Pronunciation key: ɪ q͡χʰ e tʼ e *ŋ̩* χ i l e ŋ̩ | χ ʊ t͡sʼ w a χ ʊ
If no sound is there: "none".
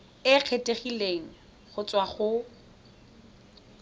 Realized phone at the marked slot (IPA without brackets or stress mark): none